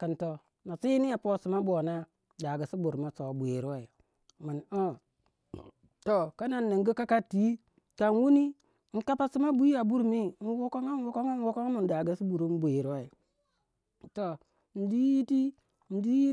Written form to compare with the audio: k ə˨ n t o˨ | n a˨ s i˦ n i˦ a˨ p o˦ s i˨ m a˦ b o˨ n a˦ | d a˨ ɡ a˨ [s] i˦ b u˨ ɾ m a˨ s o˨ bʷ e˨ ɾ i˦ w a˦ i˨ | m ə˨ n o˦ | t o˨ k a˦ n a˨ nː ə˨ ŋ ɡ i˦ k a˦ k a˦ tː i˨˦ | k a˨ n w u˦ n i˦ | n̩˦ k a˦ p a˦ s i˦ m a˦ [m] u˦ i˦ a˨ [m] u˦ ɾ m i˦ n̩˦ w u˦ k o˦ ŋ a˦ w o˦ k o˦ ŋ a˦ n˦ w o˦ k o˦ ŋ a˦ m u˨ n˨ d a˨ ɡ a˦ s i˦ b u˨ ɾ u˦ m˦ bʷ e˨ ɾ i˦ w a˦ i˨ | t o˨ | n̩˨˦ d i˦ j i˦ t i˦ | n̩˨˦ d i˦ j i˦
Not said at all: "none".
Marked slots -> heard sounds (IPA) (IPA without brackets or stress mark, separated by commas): s, b, b